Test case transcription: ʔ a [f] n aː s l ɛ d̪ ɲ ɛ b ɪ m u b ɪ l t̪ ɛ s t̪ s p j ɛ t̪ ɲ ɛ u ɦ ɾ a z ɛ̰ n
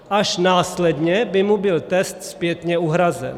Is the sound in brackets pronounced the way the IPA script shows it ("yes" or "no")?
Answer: no